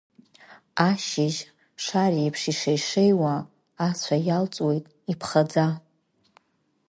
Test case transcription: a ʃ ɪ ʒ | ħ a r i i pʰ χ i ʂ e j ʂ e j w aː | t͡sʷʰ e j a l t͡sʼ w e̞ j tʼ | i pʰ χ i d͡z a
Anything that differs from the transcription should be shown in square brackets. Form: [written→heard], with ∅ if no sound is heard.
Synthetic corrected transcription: a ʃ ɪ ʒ | [ħ→ʂ] a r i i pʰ [χ→ʂ] i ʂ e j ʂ e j w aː | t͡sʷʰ [e→a] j a l t͡sʼ w e̞ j tʼ | i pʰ χ [i→a] d͡z a